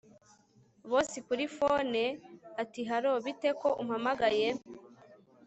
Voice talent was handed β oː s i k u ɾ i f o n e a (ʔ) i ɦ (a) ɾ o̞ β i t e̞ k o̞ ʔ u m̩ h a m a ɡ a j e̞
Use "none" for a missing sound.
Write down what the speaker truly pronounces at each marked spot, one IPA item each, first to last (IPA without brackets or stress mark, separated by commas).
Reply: t, a